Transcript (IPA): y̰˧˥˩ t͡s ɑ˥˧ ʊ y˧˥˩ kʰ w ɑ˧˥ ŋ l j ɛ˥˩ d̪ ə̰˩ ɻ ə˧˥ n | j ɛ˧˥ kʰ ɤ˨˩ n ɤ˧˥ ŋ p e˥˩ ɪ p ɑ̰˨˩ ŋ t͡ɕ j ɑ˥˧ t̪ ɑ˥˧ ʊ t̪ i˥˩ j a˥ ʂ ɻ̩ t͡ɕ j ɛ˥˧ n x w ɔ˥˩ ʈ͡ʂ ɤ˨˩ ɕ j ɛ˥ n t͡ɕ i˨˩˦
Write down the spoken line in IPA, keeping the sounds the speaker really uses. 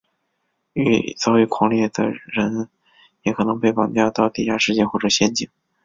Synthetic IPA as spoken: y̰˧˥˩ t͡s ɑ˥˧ ʊ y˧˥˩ kʰ w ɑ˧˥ ŋ l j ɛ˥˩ d̪ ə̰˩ ɻ ə˧˥ n | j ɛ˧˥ kʰ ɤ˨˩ n ɤ˧˥ ŋ p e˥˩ ɪ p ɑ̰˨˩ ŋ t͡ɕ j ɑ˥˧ t̪ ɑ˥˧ ʊ t̪ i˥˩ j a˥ ʂ ɻ̩ t͡ɕ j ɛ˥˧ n x w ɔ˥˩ ʈ͡ʂ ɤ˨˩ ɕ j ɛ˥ n t͡ɕ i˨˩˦